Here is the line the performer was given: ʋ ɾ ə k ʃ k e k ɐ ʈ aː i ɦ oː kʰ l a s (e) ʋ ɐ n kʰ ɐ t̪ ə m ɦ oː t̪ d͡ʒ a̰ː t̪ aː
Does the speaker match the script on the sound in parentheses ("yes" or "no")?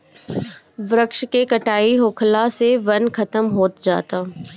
yes